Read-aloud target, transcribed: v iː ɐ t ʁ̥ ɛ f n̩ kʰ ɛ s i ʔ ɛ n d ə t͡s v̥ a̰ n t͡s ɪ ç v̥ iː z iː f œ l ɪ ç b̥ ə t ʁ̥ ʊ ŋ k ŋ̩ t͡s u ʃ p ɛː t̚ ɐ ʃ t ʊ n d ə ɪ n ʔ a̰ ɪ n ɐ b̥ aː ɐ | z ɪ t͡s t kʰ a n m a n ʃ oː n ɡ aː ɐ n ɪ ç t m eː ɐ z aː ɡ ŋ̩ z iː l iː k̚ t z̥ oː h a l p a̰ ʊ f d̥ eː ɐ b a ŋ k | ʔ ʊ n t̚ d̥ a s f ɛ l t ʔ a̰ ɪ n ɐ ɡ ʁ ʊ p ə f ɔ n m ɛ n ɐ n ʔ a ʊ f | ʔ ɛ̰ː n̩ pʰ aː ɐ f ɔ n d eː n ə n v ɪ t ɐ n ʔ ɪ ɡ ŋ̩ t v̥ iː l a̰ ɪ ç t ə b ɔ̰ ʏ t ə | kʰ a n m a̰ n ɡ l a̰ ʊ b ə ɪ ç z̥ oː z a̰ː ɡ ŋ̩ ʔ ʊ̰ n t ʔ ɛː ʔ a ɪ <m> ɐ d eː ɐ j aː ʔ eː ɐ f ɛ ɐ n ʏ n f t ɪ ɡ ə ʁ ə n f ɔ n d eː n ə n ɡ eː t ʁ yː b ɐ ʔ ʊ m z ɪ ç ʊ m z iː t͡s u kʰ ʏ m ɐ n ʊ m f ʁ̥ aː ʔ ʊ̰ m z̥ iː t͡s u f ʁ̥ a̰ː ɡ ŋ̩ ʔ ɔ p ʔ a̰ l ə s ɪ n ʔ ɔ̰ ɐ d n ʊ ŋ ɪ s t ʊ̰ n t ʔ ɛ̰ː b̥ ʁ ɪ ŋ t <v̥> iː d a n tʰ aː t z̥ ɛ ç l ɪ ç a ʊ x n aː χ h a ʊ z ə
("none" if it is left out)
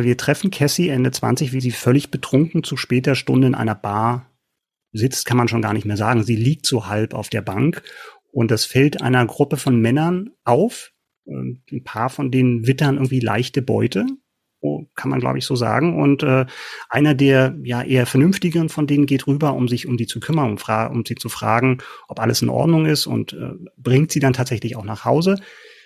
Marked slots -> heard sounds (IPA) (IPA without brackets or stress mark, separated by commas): n, z̥